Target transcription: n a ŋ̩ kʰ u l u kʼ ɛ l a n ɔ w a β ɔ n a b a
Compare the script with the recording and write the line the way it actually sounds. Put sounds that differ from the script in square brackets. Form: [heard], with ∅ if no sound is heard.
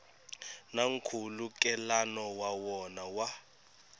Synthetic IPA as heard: n a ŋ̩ kʰ u l u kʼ ɛ l a n ɔ w a [w] ɔ n a [w] a